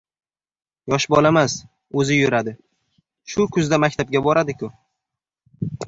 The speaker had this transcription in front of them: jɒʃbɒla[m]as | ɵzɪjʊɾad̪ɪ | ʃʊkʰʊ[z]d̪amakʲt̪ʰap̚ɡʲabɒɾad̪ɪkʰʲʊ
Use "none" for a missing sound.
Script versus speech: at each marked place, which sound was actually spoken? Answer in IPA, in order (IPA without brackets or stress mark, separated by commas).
m, z